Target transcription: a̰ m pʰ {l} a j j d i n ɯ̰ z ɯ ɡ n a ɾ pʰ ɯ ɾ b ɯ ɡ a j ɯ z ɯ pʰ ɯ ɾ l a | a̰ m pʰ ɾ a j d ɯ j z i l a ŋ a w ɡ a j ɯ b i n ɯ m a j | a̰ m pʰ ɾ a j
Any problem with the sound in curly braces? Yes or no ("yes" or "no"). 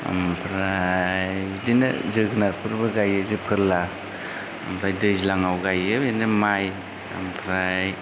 yes